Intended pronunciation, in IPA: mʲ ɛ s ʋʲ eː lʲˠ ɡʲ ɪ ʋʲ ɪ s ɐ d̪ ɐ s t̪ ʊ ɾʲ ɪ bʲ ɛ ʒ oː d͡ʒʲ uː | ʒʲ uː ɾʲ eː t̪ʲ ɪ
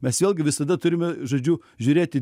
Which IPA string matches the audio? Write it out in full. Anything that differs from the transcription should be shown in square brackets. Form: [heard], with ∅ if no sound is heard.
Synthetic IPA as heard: mʲ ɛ s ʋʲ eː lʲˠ ɡʲ ɪ ʋʲ ɪ s ɐ d̪ ɐ [∅] t̪ ʊ ɾʲ ɪ [mʲ] ɛ ʒ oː d͡ʒʲ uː | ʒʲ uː ɾʲ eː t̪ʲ ɪ